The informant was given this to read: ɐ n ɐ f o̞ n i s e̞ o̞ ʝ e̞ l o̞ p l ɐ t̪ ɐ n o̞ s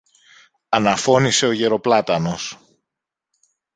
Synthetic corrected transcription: ɐ n ɐ f o̞ n i s e̞ o̞ ʝ e̞ ɾ o̞ p l ɐ t̪ ɐ n o̞ s

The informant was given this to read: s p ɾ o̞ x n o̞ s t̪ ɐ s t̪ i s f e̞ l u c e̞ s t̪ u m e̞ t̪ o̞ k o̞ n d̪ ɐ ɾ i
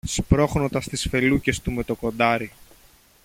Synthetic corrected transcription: s p ɾ o̞ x n o̞ t̪ ɐ s t̪ i s f e̞ l u c e̞ s t̪ u m e̞ t̪ o̞ k o̞ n d̪ ɐ ɾ i

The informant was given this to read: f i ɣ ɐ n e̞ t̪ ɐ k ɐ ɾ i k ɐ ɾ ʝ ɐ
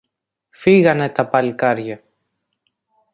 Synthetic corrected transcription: f i ɣ ɐ n e̞ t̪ ɐ p ɐ l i k ɐ ɾ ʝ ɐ

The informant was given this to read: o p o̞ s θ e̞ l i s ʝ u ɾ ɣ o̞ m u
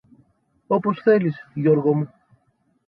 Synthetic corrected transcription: o p o̞ s θ e̞ l i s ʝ o ɾ ɣ o̞ m u

